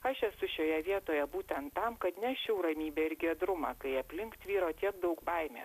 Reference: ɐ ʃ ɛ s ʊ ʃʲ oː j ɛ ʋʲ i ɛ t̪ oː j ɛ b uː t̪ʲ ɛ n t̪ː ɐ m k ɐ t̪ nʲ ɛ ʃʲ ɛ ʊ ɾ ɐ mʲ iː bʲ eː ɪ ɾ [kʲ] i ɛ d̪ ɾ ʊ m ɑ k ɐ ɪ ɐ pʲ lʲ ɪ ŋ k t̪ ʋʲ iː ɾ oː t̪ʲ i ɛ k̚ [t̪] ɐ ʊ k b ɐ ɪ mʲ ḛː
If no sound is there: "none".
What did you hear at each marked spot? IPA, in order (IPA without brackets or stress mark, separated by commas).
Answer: ɡʲ, d̪